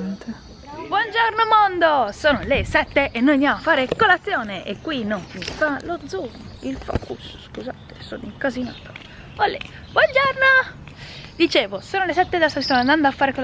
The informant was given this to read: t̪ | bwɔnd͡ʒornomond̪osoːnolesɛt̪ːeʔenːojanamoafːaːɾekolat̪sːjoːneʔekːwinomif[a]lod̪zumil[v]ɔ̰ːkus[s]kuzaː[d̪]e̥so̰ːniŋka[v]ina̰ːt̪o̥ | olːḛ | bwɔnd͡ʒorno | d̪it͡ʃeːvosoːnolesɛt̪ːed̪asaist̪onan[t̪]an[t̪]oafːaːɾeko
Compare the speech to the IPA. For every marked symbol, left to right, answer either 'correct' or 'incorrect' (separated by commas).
correct, incorrect, correct, incorrect, incorrect, incorrect, incorrect